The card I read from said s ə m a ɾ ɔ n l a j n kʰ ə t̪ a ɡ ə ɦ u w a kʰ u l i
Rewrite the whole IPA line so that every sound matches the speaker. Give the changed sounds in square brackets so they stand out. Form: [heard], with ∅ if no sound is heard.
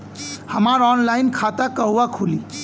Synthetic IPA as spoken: [h] ə m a ɾ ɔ n l a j n kʰ [a] t̪ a [k] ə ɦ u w a kʰ u l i